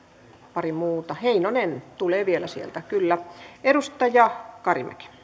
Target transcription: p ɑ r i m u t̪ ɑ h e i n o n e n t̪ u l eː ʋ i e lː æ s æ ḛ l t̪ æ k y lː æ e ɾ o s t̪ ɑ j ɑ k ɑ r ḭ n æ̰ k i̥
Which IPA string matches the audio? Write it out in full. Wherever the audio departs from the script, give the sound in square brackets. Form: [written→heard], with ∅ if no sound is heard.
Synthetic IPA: p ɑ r i m [u→uː] t̪ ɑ h e i n o n e n t̪ u l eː ʋ i e [lː→l] æ s [æ→i] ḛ l t̪ æ k y lː æ e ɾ [o→u] s t̪ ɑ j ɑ k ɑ r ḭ [n→m] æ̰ k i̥